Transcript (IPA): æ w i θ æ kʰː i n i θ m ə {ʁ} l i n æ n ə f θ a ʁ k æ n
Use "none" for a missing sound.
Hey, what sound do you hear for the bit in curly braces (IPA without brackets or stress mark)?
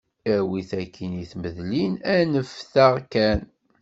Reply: ð